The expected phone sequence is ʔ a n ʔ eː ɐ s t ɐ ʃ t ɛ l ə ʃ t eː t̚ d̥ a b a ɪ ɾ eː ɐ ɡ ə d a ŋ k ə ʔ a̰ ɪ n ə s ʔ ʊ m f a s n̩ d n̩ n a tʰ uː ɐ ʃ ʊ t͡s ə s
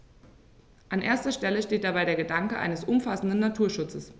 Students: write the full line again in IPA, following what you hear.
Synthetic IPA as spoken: ʔ a n ʔ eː ɐ s t ɐ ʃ t ɛ l ə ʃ t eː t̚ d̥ a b a ɪ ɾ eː ɐ ɡ ə d a ŋ k ə ʔ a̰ ɪ n ə s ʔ ʊ m f a s n̩ d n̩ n a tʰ uː ɐ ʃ ʊ t͡s ə s